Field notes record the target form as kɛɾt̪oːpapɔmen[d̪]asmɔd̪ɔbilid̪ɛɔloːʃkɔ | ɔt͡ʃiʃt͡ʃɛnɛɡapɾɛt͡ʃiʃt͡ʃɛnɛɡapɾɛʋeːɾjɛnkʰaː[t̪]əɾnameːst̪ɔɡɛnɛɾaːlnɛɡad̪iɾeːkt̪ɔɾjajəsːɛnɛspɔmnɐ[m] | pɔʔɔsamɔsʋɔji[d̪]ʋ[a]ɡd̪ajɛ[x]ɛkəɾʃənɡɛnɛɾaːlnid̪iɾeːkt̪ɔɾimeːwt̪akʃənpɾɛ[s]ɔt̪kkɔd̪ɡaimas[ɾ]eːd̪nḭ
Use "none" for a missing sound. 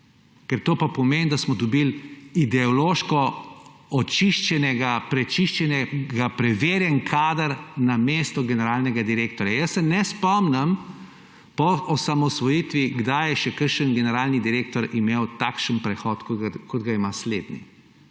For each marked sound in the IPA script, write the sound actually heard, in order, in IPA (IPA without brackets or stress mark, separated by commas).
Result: d̪, d̪, m, t̪, i, ʃ, x, l